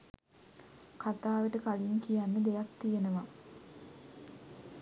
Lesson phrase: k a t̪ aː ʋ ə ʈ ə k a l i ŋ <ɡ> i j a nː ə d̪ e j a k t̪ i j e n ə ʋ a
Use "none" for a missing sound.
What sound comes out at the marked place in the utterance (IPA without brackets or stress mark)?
k